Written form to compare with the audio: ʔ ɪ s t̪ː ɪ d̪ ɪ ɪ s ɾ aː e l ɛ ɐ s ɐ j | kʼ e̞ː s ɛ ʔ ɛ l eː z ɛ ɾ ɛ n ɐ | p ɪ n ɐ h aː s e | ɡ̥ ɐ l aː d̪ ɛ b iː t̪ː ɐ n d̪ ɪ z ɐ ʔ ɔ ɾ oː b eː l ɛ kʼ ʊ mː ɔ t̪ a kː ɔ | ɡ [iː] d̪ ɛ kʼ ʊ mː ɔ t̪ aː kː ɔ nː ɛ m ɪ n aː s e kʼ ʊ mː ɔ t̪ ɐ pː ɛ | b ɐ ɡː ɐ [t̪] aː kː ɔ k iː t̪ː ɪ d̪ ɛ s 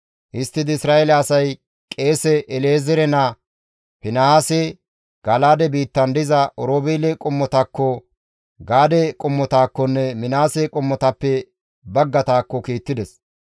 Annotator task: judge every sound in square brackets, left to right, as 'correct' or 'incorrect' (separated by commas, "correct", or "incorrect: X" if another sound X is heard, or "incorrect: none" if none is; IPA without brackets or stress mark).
incorrect: aː, correct